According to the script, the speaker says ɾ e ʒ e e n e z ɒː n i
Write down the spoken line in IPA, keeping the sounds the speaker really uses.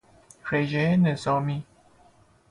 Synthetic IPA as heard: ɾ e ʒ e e n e z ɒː m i